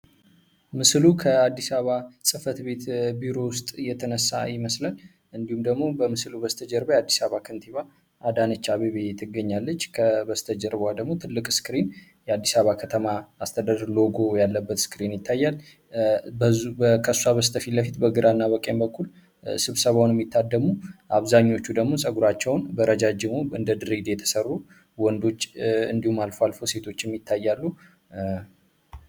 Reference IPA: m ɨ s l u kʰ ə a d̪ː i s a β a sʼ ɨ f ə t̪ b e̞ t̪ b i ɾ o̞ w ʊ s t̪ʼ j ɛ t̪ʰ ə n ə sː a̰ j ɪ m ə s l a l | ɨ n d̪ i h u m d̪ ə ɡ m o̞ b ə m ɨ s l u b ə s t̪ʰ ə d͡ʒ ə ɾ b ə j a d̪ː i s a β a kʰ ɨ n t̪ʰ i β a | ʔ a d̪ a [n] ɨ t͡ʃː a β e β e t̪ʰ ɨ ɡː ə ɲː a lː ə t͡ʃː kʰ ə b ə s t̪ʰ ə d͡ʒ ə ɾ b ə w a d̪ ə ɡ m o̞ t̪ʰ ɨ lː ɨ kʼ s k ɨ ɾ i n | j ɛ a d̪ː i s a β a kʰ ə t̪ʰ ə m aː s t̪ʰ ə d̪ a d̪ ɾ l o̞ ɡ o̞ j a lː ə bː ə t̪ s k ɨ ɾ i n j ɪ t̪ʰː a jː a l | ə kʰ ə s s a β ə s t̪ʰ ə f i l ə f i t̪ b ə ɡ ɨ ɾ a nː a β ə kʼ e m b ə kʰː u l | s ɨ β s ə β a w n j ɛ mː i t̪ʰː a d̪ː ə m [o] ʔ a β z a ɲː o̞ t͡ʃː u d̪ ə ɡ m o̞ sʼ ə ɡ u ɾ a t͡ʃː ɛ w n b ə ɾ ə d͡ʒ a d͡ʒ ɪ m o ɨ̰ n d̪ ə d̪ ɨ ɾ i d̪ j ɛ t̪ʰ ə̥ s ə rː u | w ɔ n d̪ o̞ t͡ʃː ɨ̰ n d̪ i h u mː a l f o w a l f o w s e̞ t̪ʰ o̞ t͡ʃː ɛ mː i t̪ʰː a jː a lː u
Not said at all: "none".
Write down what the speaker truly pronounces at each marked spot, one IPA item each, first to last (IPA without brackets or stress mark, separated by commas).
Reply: n, u